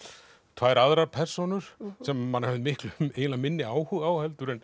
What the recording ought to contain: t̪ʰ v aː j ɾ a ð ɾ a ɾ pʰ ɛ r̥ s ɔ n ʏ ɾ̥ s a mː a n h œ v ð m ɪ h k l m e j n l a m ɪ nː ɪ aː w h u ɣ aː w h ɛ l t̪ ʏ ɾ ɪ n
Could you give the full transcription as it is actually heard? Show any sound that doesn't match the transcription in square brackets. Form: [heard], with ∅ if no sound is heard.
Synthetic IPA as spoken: t̪ʰ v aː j ɾ a ð ɾ a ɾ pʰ ɛ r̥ s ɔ n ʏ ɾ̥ s [ɛ] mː a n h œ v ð m ɪ h k l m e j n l a m ɪ nː ɪ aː w h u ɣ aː w h ɛ l t̪ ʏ ɾ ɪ n